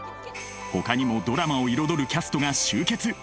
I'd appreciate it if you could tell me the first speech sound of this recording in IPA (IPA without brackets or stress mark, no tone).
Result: h